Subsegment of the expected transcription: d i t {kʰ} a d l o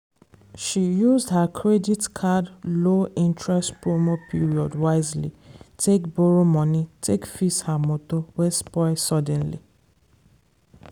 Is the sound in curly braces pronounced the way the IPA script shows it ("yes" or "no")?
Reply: yes